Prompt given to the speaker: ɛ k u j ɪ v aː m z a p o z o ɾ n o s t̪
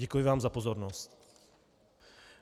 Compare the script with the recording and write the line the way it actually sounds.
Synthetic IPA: ɛ k u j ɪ v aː m z a p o z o ɾ n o s t̪